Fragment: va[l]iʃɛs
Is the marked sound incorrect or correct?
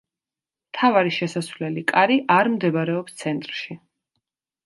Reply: incorrect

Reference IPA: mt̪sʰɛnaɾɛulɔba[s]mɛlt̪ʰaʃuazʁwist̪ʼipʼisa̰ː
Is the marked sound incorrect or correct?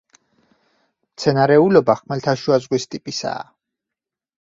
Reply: incorrect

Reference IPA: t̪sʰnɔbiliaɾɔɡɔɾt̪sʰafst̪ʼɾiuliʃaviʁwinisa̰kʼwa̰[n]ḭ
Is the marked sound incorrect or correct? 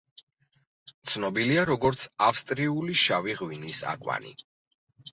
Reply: correct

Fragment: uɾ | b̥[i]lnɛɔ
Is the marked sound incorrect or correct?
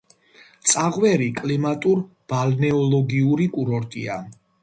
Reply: incorrect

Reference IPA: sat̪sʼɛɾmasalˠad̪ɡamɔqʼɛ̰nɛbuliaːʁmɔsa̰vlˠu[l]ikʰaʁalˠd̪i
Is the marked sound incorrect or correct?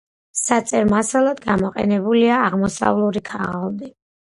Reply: incorrect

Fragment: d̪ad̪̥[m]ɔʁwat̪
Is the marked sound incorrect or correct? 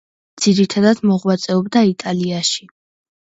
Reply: correct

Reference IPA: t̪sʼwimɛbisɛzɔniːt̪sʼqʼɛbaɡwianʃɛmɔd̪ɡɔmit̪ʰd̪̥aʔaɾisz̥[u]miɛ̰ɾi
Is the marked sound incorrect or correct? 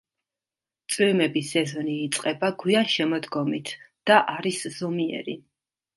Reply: incorrect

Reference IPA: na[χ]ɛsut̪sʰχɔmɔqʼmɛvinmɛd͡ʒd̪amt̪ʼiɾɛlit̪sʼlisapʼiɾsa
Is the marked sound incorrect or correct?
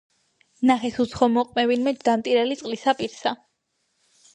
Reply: correct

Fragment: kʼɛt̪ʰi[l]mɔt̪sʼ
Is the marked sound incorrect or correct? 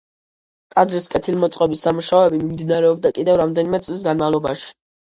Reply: correct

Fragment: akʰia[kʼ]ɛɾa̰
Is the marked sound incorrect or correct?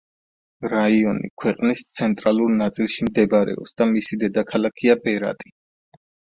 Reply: incorrect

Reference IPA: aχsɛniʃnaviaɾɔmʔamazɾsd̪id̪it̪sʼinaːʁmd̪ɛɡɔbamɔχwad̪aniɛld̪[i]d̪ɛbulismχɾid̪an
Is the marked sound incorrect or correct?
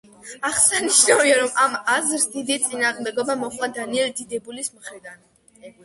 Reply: correct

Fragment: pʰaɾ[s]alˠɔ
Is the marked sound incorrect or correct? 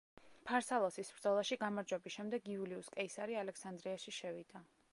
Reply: correct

